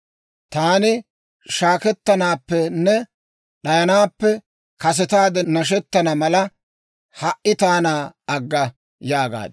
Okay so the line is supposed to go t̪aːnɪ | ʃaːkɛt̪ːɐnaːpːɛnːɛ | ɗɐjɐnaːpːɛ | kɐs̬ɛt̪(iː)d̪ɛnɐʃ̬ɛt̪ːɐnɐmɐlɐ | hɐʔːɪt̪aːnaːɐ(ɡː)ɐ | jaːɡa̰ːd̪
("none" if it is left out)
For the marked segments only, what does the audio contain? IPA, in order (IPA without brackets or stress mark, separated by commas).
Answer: aː, ɡː